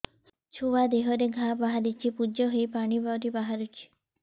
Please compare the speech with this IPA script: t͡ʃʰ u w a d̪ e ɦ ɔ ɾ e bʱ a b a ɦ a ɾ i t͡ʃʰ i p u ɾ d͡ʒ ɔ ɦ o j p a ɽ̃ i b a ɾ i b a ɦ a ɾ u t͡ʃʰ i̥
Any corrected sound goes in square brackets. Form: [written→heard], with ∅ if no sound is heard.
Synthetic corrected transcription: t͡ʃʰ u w a d̪ e ɦ ɔ ɾ e [bʱ→ɡʱ] a b a ɦ a ɾ i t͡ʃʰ i p u [ɾ→∅] d͡ʒ ɔ ɦ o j p a ɽ̃ i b a ɾ i b a ɦ a ɾ u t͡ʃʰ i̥